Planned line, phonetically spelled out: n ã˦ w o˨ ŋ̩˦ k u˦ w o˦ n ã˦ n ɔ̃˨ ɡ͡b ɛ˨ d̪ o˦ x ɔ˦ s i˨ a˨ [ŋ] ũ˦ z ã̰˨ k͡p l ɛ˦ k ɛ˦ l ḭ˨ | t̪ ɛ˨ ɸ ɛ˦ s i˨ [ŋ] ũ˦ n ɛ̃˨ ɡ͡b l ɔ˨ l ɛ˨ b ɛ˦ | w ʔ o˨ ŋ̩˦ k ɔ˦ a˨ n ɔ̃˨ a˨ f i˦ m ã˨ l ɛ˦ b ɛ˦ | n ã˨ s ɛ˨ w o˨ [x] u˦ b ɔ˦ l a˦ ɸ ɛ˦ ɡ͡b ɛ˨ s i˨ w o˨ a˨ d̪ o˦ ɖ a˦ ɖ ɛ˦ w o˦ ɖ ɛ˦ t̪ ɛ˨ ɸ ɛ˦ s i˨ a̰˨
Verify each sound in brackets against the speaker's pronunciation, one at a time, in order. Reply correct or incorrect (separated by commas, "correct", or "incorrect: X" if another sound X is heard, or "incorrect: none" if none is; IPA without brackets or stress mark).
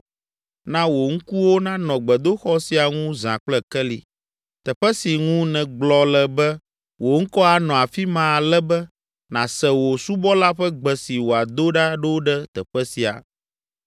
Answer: correct, correct, incorrect: s